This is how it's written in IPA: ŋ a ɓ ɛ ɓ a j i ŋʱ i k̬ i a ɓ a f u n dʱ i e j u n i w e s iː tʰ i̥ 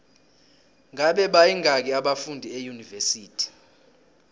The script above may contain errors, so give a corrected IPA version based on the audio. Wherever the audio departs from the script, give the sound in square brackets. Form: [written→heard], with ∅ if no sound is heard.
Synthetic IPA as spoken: ŋ a ɓ ɛ ɓ a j i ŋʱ [i→a] k̬ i a ɓ a f u n dʱ i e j u n i [w→v] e s iː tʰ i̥